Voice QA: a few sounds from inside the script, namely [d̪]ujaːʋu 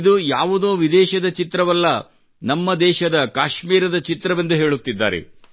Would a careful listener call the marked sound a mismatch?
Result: no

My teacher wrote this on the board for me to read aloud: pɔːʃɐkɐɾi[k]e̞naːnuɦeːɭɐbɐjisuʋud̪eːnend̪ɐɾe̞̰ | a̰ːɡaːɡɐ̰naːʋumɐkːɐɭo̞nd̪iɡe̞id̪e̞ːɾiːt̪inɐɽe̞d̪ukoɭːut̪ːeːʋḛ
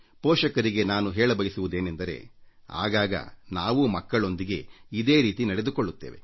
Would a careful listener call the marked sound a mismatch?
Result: yes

